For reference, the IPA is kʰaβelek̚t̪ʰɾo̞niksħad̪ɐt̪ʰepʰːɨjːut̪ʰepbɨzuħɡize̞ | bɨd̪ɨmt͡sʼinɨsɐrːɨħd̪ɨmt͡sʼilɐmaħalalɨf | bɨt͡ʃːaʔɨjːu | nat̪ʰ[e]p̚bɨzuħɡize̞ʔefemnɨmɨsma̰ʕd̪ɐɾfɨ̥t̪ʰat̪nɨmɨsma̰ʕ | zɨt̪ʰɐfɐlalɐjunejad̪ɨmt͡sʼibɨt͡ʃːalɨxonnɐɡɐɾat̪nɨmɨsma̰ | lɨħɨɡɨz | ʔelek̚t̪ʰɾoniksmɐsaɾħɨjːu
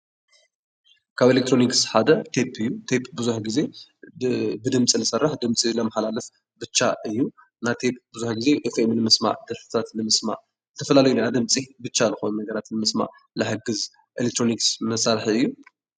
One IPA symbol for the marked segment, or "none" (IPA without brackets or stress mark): e